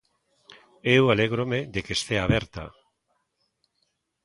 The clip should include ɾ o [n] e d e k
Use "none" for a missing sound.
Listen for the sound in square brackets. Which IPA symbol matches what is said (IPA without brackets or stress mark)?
m